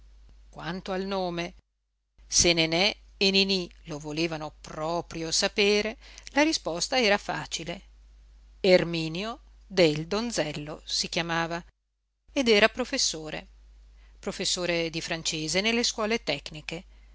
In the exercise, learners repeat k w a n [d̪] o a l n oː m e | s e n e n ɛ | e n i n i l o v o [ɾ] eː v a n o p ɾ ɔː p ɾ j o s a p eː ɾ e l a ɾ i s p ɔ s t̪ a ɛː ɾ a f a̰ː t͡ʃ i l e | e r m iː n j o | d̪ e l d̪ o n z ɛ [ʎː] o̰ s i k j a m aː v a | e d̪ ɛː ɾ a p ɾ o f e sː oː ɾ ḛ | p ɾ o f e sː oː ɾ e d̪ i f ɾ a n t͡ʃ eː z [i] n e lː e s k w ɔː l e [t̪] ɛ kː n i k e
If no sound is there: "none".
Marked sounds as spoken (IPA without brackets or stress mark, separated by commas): t̪, l, lː, e, t̪